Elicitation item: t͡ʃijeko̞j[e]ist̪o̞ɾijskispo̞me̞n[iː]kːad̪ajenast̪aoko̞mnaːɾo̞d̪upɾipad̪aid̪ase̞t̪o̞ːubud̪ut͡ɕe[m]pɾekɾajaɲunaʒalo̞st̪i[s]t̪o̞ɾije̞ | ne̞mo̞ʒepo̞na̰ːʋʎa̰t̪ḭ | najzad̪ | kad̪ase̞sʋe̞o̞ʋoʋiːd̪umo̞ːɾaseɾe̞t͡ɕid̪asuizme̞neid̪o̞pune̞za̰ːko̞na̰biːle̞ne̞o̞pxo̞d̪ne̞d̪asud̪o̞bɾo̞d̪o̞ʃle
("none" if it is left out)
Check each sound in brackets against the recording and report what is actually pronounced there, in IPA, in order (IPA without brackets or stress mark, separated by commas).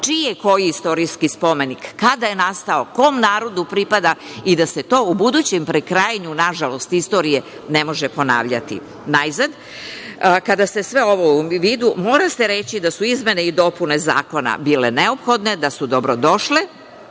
i, i, m, s